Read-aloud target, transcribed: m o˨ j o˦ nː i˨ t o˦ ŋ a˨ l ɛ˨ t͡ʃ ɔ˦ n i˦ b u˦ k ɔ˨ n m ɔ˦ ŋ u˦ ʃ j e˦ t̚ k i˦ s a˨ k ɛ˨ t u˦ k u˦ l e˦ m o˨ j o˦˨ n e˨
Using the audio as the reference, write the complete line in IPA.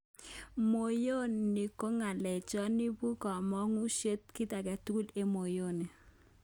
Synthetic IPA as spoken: m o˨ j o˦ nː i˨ k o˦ ŋ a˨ l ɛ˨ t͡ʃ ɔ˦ n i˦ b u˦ k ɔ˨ m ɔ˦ ŋ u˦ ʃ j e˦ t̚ k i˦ t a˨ k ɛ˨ t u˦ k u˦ l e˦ m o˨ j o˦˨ n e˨